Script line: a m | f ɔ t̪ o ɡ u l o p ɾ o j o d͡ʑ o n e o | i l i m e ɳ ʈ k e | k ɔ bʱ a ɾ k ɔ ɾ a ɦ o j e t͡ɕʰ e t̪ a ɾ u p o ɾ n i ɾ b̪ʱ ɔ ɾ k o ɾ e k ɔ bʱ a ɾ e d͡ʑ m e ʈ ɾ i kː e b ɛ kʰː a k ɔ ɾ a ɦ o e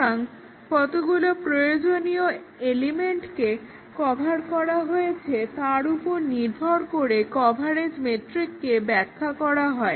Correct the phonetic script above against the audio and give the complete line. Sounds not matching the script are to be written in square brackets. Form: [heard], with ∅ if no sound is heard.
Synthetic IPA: a [ŋ] | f ɔ t̪ o ɡ u l o p ɾ o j o d͡ʑ o n [i] o | [e] l i m e ɳ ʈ k e | k ɔ bʱ a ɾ k ɔ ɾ a ɦ o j e t͡ɕʰ e t̪ a ɾ u p o ɾ n i ɾ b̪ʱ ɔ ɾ k o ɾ e k ɔ bʱ a ɾ e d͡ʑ m e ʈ ɾ i kː e b ɛ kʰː a k ɔ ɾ a ɦ [ɔ] e